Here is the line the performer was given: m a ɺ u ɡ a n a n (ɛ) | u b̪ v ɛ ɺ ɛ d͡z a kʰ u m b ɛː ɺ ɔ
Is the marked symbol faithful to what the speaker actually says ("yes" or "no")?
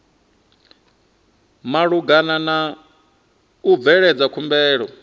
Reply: no